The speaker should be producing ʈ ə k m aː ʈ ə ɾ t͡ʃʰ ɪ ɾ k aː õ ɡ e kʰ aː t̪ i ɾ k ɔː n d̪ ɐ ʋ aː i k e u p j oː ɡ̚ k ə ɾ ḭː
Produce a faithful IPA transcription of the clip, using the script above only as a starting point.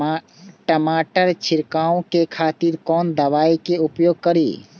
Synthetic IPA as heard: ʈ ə m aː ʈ ə ɾ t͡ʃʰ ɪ ɾ k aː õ k e kʰ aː t̪ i ɾ k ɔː n d̪ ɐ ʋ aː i k e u p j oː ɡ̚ k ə ɾ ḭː

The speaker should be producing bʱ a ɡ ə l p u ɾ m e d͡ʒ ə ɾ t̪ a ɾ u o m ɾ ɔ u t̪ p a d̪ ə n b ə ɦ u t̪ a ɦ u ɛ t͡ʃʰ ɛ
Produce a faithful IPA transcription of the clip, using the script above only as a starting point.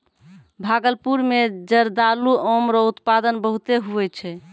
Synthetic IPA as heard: bʱ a ɡ ə l p u ɾ m e d͡ʒ ə ɾ d̪ a l u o m ɾ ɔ u t̪ p a d̪ ə n b ə ɦ u t̪ e ɦ u ɛ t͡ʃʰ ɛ

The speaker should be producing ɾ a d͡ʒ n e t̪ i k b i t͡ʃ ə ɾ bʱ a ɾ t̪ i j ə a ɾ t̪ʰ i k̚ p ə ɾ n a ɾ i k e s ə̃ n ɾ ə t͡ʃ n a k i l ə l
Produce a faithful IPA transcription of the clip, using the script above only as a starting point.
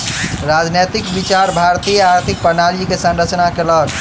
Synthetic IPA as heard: ɾ a d͡ʒ n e t̪ i k b i t͡ʃ a ɾ bʱ a ɾ t̪ i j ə a ɾ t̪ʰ i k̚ p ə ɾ n a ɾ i k e s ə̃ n ɾ ə t͡ʃ n a k e l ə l

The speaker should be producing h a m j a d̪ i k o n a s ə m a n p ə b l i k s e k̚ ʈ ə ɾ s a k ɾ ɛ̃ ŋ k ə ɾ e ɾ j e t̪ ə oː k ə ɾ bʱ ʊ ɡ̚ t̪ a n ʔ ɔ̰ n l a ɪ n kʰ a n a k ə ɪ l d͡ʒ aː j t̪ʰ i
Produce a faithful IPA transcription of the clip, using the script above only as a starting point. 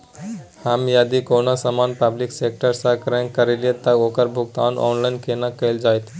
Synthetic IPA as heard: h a m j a d̪ i k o n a s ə m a n p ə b l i k s e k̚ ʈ ə ɾ s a k ɾ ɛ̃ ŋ k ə ɾ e l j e t̪ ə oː k ə ɾ bʱ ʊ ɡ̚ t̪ a n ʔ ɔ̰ n l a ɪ n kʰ e n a k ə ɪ l d͡ʒ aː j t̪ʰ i

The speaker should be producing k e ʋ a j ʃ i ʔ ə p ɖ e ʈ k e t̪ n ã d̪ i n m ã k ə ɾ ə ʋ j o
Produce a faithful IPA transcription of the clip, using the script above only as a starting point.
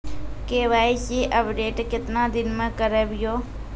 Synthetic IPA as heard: k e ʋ a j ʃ i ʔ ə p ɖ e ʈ k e t̪ n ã d̪ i n m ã k ə ɾ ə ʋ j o

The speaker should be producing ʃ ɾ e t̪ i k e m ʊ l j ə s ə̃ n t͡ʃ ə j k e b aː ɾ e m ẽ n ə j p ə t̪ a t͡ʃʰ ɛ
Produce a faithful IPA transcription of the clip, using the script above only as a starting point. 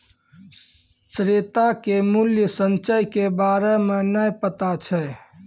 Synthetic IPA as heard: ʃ ɾ e t̪ a k e m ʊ l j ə s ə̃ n t͡ʃ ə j k e b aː ɾ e m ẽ n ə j p ə t̪ a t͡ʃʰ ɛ

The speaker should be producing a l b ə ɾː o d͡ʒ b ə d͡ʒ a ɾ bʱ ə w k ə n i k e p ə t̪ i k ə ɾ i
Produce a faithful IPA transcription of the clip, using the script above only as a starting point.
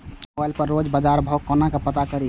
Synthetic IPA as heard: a l p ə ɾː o d͡ʒ b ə d͡ʒ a ɾ bʱ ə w k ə n a k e p ə t̪ a k ə ɾ i

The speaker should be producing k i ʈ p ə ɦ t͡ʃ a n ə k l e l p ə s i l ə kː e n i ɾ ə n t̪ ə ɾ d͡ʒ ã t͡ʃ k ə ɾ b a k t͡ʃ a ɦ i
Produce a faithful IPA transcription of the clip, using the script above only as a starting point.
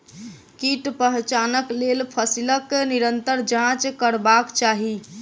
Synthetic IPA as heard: k i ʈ p ə ɦ t͡ʃ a n ə k l e l pʰ ə s i l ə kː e n i ɾ ə n t̪ ə ɾ d͡ʒ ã t͡ʃ k ə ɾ b a k t͡ʃ a ɦ i

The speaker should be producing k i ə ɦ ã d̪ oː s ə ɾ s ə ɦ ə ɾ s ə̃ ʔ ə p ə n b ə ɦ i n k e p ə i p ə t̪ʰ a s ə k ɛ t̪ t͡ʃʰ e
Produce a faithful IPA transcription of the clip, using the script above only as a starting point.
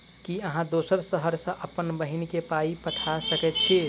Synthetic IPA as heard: k i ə ɦ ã d̪ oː s ə ɾ s ə ɦ ə ɾ s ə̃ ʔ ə p ə n b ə ɦ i n k e p a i p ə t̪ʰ a s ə k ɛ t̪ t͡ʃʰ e

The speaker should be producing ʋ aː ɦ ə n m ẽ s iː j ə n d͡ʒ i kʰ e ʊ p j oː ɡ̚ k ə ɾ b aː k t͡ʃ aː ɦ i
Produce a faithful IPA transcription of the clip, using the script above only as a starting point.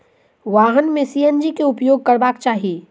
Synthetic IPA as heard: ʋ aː ɦ ə n m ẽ s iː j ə n d͡ʒ i k e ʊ p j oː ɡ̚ k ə ɾ b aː k t͡ʃ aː ɦ i

